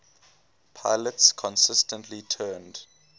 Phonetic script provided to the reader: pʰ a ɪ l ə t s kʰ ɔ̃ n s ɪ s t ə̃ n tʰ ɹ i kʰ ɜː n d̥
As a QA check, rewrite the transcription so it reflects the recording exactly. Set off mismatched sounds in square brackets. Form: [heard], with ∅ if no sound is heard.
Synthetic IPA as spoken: pʰ a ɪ l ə t s kʰ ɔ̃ n s ɪ s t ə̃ n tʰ [l] i [tʰ] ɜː n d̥